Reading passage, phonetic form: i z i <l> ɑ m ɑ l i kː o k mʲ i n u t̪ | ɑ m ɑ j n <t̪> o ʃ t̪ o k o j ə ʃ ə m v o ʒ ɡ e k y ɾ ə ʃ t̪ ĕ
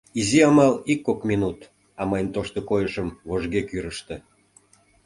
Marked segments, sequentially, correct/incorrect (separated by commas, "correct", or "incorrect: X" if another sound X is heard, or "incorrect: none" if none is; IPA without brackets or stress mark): incorrect: none, correct